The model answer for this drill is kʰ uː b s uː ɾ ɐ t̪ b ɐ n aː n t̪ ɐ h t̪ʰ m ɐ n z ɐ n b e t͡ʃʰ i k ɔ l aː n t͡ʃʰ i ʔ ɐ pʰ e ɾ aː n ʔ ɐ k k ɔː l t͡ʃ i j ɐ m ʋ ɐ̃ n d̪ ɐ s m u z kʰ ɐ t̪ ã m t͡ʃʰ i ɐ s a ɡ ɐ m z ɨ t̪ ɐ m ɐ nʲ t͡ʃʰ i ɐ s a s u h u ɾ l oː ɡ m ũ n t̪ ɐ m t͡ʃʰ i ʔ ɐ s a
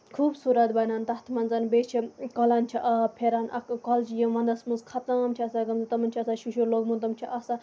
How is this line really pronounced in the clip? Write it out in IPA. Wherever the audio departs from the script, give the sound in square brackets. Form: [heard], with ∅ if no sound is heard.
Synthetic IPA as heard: kʰ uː b s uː ɾ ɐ t̪ b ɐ n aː n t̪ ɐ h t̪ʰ m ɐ n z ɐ n b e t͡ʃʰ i k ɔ l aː n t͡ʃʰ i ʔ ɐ pʰ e ɾ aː n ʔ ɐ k k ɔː l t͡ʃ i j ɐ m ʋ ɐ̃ n d̪ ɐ s m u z kʰ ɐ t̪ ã m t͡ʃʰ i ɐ s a ɡ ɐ m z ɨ t̪ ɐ m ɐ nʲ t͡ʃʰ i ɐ s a [ʃ] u [ʃ] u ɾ l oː ɡ m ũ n t̪ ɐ m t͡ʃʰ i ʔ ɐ s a